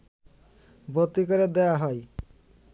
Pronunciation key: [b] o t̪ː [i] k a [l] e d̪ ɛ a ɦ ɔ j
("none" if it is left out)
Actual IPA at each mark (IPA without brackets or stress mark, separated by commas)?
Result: b, i, ɾ